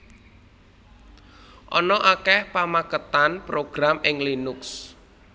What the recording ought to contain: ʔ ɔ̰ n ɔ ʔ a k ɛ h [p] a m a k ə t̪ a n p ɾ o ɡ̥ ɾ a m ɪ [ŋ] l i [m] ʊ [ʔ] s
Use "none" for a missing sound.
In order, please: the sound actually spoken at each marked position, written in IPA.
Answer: p, ŋ, n, k

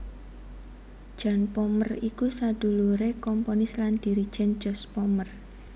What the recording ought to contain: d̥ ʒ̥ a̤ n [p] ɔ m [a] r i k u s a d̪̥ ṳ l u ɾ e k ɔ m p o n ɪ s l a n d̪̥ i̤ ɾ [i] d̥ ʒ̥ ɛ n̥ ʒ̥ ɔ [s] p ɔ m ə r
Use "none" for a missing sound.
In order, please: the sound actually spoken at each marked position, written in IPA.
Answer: p, ə, i, s

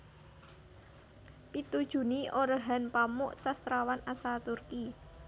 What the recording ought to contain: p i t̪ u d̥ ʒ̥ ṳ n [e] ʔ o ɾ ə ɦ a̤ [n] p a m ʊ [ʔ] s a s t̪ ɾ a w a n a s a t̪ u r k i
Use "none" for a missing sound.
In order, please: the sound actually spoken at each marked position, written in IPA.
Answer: i, n, ʔ

